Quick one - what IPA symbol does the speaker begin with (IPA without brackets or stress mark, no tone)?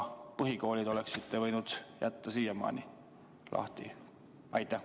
p